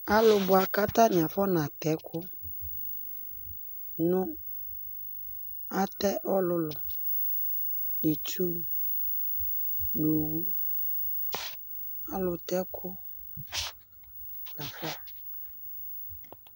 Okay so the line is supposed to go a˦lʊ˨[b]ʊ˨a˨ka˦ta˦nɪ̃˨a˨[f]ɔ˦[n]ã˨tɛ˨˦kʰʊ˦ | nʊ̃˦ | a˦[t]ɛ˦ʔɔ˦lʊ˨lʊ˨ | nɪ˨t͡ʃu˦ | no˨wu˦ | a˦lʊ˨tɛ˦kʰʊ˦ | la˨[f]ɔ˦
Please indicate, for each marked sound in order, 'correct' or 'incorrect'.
correct, correct, correct, correct, correct

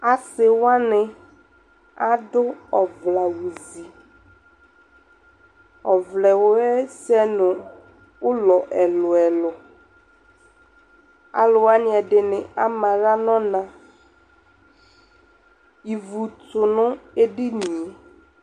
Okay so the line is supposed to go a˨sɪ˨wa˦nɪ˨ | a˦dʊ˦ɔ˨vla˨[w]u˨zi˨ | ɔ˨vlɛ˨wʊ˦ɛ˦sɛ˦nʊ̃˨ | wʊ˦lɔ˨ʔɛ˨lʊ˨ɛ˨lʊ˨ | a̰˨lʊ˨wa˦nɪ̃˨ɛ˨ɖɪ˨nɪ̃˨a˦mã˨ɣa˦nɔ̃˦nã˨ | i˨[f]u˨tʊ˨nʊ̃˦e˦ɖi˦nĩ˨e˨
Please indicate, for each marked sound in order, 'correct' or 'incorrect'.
correct, incorrect

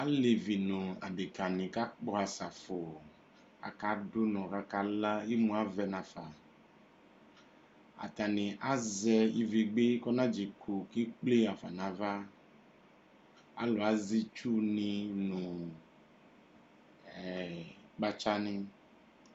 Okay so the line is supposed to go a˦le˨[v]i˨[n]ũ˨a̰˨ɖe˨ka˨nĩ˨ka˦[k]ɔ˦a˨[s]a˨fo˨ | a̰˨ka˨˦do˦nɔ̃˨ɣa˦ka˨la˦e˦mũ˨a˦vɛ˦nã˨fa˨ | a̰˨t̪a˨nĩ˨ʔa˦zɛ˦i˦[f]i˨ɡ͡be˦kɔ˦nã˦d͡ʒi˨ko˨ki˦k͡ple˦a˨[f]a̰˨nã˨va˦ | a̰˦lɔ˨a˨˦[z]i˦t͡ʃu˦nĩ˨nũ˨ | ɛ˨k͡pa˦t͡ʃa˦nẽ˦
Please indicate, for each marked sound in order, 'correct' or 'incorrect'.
correct, correct, incorrect, correct, incorrect, correct, correct

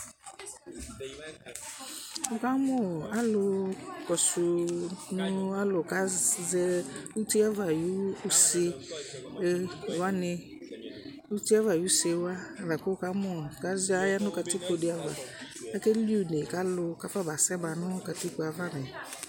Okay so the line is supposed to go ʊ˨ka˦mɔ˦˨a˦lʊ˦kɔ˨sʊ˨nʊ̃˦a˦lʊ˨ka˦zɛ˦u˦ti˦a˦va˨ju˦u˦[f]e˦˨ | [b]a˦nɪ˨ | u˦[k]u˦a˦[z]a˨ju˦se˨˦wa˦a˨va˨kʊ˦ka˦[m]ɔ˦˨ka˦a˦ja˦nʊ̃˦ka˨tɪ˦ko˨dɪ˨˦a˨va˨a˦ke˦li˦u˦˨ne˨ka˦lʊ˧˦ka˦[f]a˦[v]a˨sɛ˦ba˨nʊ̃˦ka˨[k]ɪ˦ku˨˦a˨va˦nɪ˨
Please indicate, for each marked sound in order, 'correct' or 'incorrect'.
incorrect, incorrect, incorrect, incorrect, correct, correct, incorrect, incorrect

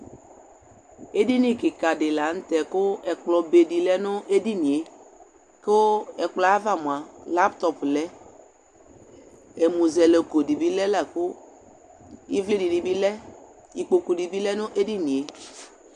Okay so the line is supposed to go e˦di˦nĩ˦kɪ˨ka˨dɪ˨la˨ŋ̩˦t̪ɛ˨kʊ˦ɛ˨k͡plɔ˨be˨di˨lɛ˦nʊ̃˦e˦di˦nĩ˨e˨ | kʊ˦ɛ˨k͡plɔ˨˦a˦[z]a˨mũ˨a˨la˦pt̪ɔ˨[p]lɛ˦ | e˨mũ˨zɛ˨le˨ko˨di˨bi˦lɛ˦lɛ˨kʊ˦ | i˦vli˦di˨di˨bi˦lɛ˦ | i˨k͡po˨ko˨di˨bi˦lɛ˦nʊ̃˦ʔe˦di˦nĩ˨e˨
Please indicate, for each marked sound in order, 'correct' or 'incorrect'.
incorrect, correct

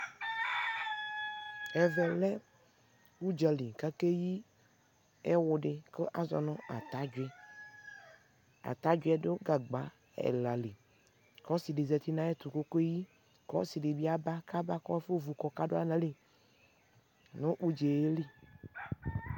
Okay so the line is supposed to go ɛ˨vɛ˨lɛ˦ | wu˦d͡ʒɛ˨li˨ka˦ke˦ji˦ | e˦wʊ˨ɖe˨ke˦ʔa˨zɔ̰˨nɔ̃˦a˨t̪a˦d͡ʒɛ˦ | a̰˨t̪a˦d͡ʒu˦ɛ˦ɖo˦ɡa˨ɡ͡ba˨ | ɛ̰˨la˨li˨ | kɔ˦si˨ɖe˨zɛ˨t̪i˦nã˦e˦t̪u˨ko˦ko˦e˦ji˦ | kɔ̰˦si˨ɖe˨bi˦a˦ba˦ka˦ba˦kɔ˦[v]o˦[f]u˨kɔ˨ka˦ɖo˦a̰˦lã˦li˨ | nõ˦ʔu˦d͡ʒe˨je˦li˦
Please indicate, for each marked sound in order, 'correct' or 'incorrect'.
incorrect, incorrect

